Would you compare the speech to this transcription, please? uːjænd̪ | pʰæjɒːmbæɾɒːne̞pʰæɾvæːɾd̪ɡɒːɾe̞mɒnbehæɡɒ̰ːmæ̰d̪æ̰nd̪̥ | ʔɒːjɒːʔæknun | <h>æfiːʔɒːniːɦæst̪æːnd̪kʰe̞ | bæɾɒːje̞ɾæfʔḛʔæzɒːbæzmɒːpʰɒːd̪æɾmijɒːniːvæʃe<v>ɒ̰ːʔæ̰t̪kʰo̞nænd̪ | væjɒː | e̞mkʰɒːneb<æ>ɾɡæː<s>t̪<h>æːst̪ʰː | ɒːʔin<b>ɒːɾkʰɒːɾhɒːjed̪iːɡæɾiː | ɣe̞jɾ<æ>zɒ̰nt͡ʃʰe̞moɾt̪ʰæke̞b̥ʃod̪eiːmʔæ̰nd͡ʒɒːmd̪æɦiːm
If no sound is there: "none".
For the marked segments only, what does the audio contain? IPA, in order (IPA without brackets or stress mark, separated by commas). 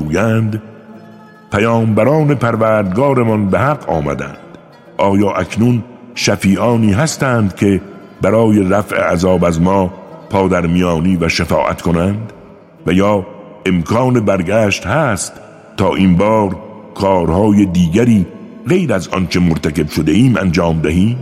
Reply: ʃ, f, æ, ʃ, h, b, æ